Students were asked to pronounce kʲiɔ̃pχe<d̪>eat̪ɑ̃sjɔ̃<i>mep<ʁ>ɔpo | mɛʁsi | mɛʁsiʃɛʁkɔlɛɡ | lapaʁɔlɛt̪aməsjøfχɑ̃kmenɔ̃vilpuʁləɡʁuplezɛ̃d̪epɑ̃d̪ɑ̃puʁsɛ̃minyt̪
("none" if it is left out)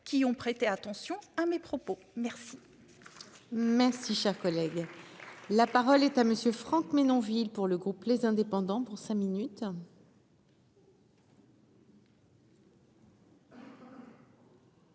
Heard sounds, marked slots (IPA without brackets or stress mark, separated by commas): t̪, a, χ